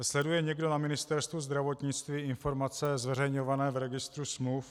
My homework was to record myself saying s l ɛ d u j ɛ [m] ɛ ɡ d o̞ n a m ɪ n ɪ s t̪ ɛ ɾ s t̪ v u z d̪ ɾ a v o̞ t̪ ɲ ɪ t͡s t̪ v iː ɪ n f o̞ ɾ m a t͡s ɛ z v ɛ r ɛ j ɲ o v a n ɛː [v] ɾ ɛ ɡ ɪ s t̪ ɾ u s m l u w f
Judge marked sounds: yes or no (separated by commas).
no, yes